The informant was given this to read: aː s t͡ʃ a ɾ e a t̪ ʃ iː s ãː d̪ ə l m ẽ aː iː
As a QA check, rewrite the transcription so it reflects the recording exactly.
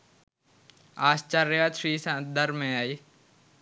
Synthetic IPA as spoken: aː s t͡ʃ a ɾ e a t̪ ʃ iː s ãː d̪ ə ɾ m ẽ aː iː

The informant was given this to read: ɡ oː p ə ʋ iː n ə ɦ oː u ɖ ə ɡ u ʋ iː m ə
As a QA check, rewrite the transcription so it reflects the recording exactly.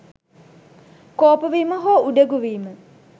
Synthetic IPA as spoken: k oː p ə ʋ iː m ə ɦ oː u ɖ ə ɡ u ʋ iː m ə

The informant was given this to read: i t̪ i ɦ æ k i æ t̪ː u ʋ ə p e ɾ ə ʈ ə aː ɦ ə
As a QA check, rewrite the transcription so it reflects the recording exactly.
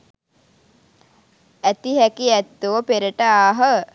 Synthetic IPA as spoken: æ t̪ i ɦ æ k i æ t̪ː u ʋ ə p e ɾ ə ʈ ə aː ɦ ə

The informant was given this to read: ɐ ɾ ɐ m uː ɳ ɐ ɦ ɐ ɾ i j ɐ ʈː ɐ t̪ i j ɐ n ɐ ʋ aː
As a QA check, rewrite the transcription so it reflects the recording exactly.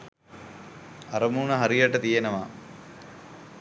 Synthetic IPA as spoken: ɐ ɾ ɐ m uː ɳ ɐ ɦ ɐ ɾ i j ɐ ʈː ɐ t̪ i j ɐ n ɐ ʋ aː

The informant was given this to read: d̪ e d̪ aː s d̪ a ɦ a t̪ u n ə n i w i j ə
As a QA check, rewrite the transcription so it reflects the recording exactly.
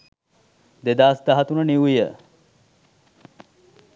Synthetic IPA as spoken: d̪ e d̪ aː s d̪ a ɦ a t̪ u n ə n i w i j ə

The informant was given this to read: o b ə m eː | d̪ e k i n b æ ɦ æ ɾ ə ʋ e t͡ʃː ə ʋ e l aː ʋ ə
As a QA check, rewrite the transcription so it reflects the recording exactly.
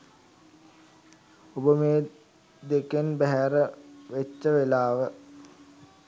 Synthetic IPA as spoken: o b ə m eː | d̪ e k e n b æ ɦ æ ɾ ə ʋ e t͡ʃː ə ʋ e l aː ʋ ə

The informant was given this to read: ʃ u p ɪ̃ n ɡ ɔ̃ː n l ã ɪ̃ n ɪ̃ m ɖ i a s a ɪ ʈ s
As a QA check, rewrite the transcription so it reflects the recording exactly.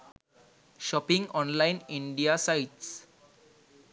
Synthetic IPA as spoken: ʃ ɔ p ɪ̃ ŋ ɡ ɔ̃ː n l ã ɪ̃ n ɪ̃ ɳ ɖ i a s a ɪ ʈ s

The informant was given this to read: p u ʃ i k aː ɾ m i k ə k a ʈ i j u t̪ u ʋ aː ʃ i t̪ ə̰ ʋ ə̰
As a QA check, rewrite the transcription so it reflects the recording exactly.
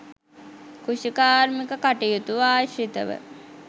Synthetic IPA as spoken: k u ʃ i k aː ɾ m i k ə k a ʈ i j u t̪ u ʋ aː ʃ i t̪ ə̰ ʋ ə̰

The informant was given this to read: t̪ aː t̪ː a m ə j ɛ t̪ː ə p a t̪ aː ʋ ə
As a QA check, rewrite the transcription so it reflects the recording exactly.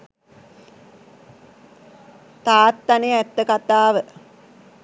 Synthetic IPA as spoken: t̪ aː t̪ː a n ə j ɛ t̪ː ə k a t̪ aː ʋ ə

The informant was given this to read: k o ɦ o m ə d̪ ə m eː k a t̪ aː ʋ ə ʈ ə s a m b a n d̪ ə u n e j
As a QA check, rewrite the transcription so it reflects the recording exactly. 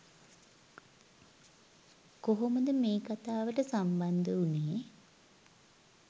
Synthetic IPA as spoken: k o ɦ o m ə d̪ ə m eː k a t̪ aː ʋ ə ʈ ə s a m b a n d̪ ə u n e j

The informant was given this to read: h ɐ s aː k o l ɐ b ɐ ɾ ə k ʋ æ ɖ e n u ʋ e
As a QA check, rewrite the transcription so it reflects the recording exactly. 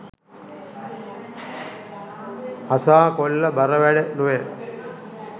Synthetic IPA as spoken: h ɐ s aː k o lː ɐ b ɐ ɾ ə ʋ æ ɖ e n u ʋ e

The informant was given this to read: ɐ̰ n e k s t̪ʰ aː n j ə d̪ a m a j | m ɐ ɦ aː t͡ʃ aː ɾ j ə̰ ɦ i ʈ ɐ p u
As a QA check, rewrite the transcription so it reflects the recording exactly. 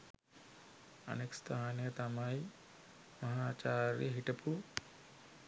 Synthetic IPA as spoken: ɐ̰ n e k s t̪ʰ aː n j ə t̪ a m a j | m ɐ ɦ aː t͡ʃ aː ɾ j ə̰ ɦ i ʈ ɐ p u

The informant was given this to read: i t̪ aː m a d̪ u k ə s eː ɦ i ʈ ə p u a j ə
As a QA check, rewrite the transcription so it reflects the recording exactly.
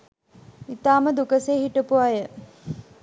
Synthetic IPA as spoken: i t̪ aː m ə d̪ u k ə s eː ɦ i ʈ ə p u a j ə

